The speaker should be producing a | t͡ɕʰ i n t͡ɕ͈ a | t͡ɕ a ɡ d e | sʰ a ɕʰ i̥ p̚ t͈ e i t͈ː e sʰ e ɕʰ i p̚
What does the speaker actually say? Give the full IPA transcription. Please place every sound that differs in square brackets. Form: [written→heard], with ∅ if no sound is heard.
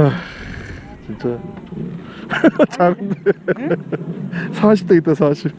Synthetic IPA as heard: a | [t͡ɕʰ→t͡ɕ] i n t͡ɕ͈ a | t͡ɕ a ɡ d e | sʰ a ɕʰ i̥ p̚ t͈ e i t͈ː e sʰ [e→a] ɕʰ i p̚